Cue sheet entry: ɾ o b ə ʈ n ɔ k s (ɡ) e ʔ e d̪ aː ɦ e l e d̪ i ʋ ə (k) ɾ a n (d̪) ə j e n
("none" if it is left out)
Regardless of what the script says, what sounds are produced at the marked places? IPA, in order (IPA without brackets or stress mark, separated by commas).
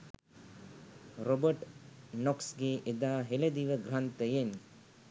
ɡ, ɡ, t̪